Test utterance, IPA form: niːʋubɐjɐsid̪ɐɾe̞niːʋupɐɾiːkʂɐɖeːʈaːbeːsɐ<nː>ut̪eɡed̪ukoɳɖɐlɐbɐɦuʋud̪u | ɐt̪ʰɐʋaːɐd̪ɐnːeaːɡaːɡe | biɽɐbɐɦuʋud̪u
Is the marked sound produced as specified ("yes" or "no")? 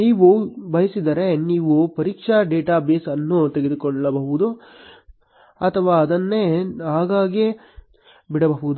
yes